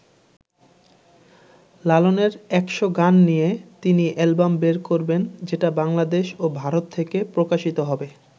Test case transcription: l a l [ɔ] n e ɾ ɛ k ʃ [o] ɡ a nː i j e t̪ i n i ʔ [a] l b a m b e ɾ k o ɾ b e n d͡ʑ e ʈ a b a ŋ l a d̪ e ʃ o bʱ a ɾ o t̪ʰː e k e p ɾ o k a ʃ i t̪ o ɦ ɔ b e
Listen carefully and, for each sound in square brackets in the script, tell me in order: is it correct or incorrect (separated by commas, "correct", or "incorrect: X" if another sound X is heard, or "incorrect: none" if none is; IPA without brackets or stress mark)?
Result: incorrect: o, correct, incorrect: ɛ